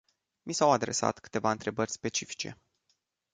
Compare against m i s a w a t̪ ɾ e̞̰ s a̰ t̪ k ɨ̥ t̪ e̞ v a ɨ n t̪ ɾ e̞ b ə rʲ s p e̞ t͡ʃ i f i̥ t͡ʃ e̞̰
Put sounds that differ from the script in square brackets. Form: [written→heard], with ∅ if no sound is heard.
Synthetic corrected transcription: m i s a w a [t̪→d̪] ɾ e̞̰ s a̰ t̪ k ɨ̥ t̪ e̞ v a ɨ n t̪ ɾ e̞ b ə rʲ s p e̞ t͡ʃ i f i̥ t͡ʃ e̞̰